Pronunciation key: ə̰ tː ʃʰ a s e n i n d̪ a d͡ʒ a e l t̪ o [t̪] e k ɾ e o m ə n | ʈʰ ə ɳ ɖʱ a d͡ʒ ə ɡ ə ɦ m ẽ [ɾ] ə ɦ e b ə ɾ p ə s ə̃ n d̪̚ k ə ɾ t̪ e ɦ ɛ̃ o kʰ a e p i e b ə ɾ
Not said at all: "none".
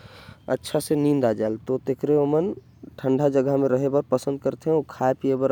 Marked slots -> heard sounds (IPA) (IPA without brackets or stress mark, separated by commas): t̪, ɾ